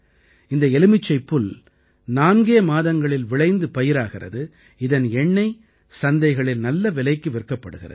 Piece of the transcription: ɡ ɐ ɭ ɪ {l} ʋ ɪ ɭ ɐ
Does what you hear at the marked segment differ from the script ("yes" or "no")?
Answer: no